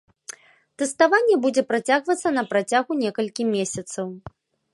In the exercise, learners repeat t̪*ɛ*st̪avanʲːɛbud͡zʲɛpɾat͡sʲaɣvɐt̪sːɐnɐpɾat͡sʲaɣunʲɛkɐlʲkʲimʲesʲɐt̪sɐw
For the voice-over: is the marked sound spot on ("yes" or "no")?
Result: yes